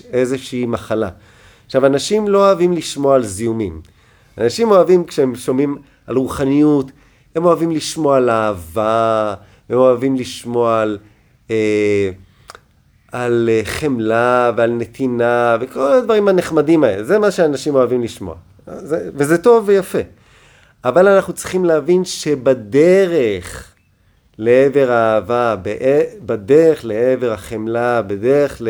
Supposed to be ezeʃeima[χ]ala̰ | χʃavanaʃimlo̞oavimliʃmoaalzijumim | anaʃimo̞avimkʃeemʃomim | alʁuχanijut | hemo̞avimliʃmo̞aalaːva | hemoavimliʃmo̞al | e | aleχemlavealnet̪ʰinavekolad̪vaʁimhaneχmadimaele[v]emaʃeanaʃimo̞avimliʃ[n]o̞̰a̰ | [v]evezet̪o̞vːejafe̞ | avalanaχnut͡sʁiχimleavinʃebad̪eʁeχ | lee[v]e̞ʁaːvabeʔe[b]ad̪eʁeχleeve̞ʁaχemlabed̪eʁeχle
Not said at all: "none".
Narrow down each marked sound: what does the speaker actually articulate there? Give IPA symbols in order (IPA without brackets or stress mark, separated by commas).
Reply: χ, z, m, z, v, b